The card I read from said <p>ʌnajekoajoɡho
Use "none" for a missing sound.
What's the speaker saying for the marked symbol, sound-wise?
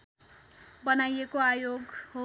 b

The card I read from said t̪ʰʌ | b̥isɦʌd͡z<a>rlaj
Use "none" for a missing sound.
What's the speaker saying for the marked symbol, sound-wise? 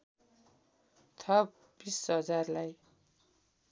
a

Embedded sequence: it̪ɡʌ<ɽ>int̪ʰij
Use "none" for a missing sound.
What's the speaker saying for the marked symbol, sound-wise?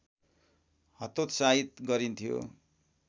ɾ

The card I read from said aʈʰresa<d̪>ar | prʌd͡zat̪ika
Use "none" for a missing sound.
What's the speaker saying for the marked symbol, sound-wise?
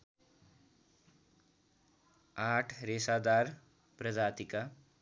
d̪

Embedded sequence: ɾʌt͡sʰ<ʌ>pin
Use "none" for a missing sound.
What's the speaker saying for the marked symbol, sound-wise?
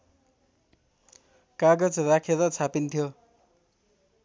a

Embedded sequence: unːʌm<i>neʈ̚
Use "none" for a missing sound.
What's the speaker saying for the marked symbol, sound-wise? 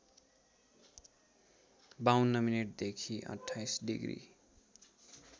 i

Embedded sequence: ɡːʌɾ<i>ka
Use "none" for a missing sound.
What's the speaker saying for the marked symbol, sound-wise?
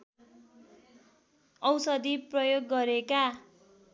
e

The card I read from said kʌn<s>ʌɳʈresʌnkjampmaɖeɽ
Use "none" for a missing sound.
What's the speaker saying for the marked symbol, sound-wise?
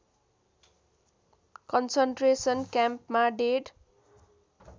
s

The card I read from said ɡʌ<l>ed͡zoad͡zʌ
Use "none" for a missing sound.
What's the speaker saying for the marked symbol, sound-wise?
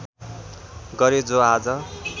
ɾ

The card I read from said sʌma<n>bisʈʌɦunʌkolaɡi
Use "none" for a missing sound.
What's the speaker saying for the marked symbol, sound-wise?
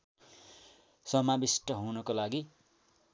none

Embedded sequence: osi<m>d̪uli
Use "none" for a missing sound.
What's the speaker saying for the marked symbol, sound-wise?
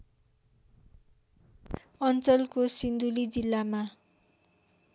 n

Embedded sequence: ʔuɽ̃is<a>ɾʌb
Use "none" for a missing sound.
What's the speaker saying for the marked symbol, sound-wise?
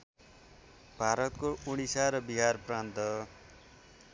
a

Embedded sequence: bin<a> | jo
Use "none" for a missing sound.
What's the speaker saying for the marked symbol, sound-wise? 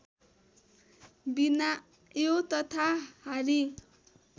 a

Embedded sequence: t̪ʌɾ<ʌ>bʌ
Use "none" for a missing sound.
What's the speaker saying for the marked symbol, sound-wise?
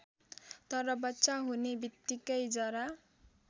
ʌ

